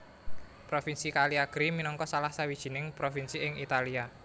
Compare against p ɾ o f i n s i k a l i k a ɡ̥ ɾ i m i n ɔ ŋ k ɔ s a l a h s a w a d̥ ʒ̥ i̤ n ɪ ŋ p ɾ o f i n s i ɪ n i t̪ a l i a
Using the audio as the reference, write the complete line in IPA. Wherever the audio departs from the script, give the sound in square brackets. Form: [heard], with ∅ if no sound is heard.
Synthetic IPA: p ɾ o f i n s i k a l i [∅] a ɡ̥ ɾ i m i n ɔ ŋ k ɔ s a l a h s a w [i] d̥ ʒ̥ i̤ n ɪ ŋ p ɾ o f i n s i ɪ [ŋ] i t̪ a l i a